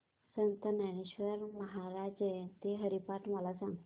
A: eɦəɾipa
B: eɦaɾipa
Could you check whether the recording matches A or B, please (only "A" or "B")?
A